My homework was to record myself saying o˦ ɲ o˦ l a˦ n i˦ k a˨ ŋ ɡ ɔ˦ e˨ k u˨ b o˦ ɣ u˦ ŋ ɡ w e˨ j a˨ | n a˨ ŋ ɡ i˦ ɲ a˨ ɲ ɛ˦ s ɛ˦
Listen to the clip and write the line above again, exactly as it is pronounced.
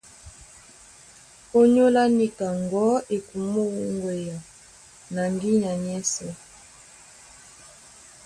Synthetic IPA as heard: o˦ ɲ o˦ l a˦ n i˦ k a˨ ŋ ɡ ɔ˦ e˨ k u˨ m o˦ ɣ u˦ ŋ ɡ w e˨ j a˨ | n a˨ ŋ ɡ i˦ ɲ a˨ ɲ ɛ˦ s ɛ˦